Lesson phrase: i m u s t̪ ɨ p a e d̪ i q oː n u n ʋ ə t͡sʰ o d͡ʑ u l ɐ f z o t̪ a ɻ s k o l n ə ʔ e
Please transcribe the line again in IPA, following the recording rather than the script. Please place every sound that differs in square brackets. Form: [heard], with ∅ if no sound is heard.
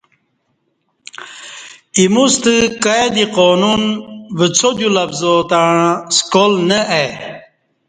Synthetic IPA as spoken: i m u s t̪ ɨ [k] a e d̪ i q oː n u n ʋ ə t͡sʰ o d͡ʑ u l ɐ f z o t̪ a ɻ s k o l n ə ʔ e